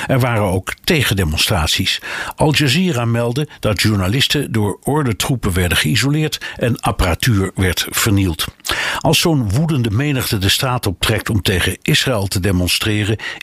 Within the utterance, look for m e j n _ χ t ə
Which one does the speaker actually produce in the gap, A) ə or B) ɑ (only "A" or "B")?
A